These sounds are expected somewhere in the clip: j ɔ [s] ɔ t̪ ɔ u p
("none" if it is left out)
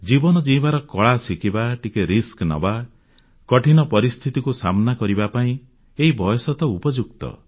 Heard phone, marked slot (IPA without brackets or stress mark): s